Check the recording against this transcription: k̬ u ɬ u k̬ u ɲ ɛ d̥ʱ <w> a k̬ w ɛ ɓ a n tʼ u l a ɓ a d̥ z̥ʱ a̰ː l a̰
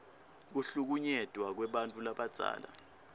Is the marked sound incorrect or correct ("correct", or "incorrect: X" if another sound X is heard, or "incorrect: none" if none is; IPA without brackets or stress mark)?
correct